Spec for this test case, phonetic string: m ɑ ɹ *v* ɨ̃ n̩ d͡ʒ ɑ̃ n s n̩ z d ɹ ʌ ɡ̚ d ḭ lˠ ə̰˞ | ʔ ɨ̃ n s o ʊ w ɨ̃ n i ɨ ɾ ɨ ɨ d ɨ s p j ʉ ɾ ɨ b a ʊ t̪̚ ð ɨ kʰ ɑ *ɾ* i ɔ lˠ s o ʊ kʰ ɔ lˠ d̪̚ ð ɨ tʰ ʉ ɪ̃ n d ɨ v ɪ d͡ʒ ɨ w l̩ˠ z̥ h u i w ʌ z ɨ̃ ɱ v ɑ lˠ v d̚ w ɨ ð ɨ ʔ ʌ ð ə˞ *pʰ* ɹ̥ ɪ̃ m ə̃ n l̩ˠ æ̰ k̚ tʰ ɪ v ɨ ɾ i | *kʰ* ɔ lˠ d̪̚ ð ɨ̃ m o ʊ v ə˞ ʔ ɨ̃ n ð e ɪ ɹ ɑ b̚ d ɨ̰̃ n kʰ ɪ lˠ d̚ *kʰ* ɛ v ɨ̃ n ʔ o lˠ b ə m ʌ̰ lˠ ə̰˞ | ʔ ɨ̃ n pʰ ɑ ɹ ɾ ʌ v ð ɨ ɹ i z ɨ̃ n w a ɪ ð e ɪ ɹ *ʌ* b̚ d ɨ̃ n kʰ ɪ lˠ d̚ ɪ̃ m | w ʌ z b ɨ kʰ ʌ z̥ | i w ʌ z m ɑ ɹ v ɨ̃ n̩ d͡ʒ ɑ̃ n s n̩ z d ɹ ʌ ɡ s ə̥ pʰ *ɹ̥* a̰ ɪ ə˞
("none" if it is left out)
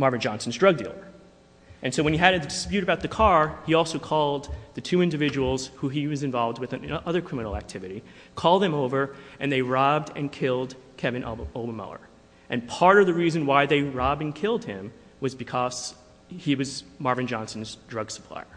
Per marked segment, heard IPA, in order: v, ɹ, kʰ, kʰ, kʰ, ɑ, l̥

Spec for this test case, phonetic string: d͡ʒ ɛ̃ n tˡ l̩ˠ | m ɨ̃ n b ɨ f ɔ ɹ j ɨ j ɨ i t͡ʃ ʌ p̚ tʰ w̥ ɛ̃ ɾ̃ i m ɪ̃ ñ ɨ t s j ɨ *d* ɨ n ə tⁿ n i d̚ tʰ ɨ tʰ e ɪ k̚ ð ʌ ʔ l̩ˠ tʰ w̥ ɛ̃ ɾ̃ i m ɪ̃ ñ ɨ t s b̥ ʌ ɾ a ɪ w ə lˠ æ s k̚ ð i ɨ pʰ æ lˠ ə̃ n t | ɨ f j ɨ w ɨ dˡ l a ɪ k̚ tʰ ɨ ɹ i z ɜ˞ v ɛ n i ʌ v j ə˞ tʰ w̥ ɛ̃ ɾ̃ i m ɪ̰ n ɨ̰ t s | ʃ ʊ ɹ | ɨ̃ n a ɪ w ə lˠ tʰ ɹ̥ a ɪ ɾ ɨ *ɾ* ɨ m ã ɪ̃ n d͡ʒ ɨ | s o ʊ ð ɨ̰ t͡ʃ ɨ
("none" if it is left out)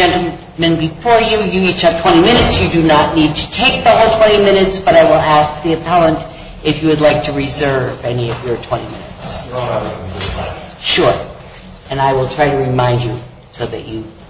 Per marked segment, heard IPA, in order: d, ɹ

